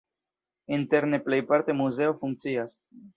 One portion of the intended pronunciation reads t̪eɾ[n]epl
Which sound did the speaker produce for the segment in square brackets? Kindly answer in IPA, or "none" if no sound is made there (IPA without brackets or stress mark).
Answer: n